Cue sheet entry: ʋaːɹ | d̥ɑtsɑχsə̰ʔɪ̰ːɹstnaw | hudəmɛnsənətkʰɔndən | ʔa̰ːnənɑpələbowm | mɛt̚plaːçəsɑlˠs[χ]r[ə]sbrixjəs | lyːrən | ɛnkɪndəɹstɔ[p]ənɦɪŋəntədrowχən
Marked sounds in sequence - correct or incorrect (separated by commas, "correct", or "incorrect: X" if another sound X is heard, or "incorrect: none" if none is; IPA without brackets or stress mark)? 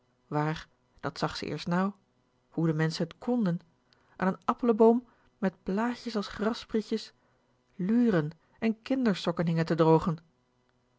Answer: correct, incorrect: ɑ, incorrect: k